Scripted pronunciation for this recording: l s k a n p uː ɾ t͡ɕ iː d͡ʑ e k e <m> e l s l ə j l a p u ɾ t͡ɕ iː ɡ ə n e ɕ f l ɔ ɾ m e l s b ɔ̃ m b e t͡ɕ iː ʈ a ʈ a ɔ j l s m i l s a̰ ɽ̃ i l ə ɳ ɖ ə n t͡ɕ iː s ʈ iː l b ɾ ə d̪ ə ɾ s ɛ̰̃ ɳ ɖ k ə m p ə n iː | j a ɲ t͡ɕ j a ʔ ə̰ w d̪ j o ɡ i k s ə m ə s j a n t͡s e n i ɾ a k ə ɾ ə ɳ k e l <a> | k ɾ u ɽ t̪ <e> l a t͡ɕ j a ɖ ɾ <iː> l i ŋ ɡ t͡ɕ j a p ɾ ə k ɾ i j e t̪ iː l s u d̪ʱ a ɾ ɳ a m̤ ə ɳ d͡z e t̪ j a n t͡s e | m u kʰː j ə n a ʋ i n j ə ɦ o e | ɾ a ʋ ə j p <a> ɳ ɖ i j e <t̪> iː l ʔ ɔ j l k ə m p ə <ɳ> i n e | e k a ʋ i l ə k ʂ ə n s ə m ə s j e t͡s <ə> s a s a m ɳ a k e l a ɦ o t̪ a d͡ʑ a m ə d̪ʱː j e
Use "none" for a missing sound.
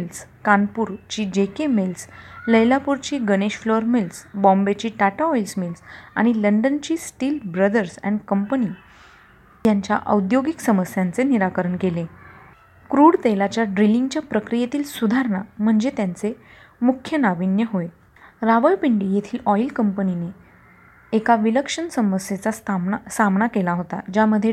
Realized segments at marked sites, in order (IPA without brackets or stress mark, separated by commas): m, e, e, i, i, t̪ʰ, n, a